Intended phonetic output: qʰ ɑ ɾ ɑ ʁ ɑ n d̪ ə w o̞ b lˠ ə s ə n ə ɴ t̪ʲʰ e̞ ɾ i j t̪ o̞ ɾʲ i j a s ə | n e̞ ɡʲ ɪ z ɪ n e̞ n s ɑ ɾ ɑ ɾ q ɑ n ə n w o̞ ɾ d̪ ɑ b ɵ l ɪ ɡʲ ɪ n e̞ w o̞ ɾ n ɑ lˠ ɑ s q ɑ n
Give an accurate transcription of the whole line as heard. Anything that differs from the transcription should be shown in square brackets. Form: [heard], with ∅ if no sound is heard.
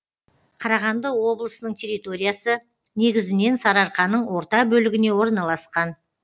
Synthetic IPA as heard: qʰ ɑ ɾ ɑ ʁ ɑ n d̪ ə w o̞ b lˠ ə s ə n ə ɴ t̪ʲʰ e̞ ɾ i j t̪ o̞ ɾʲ i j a s ə | n e̞ ɡʲ ɪ z ɪ n e̞ n s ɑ ɾ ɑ ɾ q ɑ n ə [ɴ] w o̞ ɾ [t̪] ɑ b ɵ l ɪ ɡʲ ɪ n e̞ w o̞ ɾ n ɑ lˠ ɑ s q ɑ n